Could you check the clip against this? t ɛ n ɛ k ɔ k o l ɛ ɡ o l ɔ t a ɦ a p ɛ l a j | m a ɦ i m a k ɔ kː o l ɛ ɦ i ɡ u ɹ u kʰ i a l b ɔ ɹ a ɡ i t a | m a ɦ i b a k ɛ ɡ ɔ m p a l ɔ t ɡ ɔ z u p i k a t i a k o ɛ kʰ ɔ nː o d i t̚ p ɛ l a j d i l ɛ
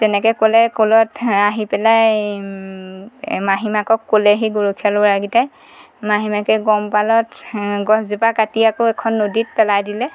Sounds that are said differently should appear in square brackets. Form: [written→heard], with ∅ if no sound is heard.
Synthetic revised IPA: t ɛ n ɛ k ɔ k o l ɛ [ɡ→k] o l ɔ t a ɦ [a→i] p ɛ l a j | m a ɦ i m a k ɔ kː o l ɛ ɦ i ɡ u ɹ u kʰ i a l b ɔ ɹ a ɡ i t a | m a ɦ i [b→m] a k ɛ ɡ ɔ m p a l ɔ t ɡ ɔ z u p [i→a] k a t i a k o ɛ kʰ ɔ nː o d i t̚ p ɛ l a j d i l ɛ